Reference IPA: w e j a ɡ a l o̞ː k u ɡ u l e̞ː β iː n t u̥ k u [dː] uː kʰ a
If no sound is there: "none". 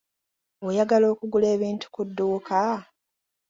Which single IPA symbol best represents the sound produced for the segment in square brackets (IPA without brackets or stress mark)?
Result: dː